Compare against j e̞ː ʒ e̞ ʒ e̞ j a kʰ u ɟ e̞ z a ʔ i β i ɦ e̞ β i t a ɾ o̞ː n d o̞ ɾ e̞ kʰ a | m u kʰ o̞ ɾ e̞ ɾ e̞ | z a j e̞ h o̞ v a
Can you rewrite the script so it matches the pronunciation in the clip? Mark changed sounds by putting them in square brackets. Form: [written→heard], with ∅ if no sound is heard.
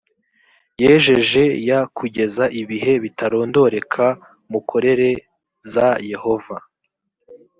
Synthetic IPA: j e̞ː ʒ e̞ ʒ e̞ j a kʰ u ɟ e̞ z a ʔ i β i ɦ e̞ β i t a ɾ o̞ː n d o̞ ɾ e̞ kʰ a | m u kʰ o̞ ɾ e̞ ɾ e̞ | z a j e̞ h o̞ v a